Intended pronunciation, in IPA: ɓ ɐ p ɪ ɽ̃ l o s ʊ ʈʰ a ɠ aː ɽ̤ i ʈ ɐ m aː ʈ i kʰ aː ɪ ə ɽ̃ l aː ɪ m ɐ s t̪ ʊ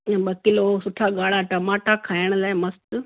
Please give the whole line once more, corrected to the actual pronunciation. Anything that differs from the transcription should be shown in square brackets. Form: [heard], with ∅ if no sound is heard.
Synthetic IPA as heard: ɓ ɐ [k] ɪ [∅] l o s ʊ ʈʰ a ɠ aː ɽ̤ [a] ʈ ɐ m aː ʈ [a] kʰ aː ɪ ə ɽ̃ l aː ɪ m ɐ s t̪ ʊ